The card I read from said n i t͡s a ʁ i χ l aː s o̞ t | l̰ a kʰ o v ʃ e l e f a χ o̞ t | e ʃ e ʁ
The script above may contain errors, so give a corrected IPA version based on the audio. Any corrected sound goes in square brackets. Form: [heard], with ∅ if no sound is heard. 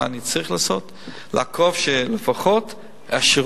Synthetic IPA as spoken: n i t͡s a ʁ i χ l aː s o̞ t | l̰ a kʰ o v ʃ e l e f a χ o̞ t | [a] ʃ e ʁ